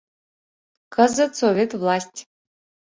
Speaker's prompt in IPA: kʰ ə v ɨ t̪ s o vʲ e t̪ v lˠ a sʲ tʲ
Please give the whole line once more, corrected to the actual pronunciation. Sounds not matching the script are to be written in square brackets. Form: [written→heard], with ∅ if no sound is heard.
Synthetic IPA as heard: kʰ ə [v→z] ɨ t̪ s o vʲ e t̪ v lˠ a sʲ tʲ